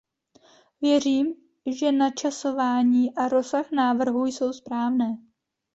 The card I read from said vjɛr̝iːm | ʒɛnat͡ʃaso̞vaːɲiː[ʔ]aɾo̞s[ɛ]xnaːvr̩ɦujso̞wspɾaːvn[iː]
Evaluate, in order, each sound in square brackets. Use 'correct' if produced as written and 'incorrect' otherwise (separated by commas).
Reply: correct, incorrect, incorrect